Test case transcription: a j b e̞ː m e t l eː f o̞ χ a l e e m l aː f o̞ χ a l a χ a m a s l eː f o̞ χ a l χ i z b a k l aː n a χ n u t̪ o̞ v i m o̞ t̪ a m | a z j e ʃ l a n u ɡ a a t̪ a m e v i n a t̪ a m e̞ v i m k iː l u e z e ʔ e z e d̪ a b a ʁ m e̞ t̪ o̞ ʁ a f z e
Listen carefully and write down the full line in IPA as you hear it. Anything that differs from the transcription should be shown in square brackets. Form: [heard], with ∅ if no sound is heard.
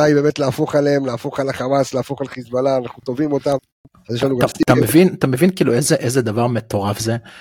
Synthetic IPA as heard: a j b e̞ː m e t l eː f o̞ χ a l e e m l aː f o̞ χ a l a χ a m a s l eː f o̞ χ a l χ i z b a [∅] l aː n a χ n u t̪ o̞ v i m o̞ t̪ a m | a z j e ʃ l a n u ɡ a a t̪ a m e v i n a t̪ a m e̞ v i [n] k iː l u e z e ʔ e z e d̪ a [v] a ʁ m e̞ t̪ o̞ ʁ a f z e